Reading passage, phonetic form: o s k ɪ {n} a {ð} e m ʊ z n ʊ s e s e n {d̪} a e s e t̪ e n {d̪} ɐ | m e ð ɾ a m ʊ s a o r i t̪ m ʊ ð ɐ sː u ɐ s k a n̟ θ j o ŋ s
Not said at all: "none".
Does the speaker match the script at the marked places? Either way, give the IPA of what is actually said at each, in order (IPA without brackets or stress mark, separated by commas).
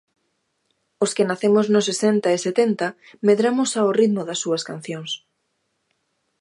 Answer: n, θ, t̪, t̪